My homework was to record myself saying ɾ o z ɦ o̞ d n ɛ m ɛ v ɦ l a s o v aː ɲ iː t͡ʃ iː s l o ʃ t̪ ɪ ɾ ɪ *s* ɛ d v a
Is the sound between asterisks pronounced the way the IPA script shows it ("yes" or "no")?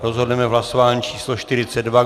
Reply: no